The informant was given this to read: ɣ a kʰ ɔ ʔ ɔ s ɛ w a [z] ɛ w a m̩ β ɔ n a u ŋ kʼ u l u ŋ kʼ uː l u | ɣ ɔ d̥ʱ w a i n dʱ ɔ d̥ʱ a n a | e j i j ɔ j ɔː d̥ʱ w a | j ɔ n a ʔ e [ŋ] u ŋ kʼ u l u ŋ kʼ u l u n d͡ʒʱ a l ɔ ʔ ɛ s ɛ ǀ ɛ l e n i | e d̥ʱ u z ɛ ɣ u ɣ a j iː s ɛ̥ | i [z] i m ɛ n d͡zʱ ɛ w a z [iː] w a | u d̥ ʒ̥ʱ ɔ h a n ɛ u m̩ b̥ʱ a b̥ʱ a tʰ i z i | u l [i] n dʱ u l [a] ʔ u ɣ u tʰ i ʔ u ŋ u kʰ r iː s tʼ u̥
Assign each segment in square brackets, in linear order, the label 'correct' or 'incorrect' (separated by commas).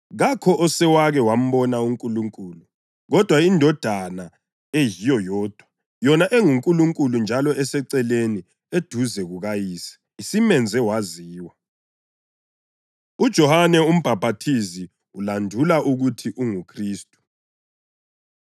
incorrect, correct, incorrect, correct, incorrect, correct